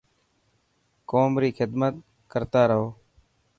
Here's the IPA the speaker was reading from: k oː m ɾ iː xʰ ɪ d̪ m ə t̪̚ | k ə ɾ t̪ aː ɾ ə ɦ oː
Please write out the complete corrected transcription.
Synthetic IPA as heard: k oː m ɾ iː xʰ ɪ d̪ m ə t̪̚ | k ə ɾ t̪ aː ɾ ə ɦ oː